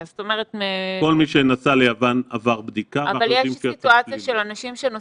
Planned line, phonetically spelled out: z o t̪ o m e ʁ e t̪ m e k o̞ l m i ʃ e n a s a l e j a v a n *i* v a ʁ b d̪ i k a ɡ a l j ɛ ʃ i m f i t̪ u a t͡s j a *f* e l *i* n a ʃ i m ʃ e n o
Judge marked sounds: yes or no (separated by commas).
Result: no, no, no